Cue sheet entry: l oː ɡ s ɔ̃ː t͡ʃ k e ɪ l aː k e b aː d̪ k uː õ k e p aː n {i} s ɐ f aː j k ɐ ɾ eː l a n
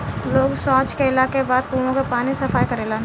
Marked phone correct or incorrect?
correct